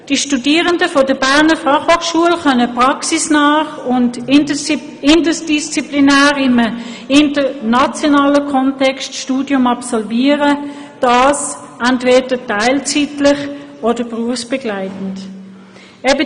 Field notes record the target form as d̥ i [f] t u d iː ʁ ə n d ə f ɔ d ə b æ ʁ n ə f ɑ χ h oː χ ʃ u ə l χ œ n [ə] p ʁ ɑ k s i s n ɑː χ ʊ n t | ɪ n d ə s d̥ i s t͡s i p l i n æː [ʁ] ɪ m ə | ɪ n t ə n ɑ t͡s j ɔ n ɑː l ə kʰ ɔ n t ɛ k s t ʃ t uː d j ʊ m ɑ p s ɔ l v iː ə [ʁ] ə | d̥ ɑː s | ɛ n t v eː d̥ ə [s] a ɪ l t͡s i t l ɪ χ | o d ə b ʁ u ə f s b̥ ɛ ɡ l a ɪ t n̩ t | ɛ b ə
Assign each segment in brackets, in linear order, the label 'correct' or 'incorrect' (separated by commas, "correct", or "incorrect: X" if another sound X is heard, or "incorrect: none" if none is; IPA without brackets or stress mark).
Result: incorrect: ʃ, correct, correct, correct, incorrect: t